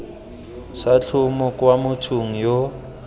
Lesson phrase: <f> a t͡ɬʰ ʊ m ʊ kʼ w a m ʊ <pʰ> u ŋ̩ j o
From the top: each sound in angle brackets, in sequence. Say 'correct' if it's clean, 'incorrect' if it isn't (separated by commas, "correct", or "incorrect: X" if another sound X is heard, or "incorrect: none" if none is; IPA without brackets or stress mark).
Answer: incorrect: s, incorrect: tʰ